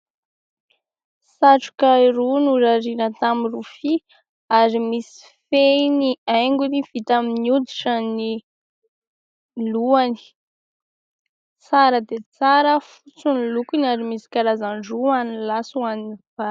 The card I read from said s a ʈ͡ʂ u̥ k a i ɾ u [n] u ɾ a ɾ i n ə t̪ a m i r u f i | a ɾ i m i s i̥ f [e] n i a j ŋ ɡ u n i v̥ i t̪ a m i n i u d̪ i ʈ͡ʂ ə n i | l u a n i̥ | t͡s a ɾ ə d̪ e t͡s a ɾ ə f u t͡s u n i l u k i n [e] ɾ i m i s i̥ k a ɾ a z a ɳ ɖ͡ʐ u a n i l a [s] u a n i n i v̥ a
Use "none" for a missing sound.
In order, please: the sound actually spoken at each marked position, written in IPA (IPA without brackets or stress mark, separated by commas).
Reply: n, e, a, s